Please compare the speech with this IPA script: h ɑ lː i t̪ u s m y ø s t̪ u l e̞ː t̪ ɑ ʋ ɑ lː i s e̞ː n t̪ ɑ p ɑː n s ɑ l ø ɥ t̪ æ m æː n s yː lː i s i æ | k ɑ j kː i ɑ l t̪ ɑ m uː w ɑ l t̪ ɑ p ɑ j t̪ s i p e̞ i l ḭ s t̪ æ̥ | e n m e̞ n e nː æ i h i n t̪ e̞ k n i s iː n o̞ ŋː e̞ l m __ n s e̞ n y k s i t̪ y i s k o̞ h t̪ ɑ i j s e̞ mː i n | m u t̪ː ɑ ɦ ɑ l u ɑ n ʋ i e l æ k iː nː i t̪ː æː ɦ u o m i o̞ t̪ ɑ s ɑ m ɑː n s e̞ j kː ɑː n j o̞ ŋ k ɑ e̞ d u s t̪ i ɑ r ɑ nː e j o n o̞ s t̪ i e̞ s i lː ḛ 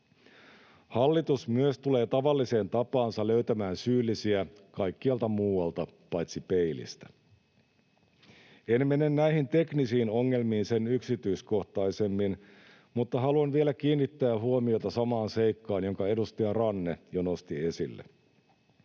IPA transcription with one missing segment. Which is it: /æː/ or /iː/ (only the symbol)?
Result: iː